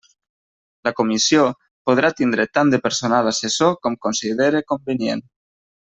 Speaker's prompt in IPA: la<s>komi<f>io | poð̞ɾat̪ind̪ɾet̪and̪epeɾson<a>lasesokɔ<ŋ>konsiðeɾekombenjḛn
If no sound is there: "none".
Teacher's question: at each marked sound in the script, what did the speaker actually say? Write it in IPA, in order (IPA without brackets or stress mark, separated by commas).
none, s, a, m